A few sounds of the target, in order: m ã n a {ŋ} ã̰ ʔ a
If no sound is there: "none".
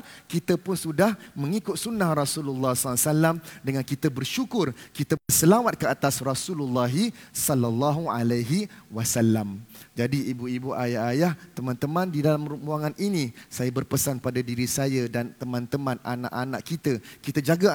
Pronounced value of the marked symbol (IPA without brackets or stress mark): n